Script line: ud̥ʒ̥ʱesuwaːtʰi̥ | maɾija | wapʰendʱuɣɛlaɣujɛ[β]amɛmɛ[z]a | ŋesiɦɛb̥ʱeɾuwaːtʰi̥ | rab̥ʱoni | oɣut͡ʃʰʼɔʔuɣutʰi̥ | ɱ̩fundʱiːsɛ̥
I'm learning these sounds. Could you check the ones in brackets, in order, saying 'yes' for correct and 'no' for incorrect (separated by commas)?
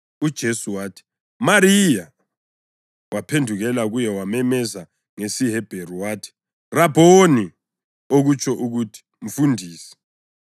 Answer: no, yes